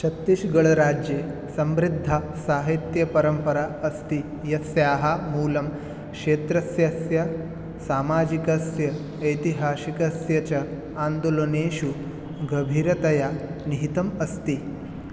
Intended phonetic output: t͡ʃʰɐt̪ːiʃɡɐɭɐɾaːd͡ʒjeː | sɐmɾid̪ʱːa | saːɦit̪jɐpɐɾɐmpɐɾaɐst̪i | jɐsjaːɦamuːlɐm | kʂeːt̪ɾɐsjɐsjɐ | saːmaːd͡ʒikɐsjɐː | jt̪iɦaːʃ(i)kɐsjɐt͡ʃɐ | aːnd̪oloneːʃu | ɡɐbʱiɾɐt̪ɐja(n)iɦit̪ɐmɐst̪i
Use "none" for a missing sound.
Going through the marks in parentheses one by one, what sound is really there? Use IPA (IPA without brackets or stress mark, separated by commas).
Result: i, n